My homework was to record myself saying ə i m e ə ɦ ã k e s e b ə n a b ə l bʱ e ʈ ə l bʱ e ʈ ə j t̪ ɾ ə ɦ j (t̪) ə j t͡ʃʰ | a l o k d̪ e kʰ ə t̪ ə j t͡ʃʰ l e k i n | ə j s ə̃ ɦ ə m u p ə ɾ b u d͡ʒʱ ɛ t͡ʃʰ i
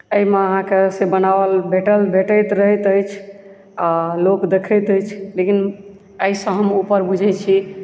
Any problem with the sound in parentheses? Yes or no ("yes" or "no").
no